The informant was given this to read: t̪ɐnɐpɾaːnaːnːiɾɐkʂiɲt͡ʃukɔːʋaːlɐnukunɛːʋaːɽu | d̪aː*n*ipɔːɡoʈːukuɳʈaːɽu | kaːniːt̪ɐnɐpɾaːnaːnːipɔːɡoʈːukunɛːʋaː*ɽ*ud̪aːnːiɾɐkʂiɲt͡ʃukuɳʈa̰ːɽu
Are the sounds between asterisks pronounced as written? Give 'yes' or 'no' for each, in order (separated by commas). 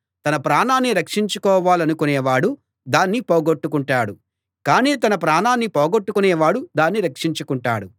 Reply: no, yes